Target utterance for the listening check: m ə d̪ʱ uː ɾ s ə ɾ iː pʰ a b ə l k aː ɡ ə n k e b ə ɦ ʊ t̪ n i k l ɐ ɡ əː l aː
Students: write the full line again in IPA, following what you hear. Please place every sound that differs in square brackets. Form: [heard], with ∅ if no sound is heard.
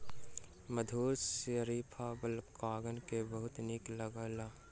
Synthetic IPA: m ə d̪ʱ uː ɾ s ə ɾ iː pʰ a b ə l k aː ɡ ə n k e b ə ɦ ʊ t̪ n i k l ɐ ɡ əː l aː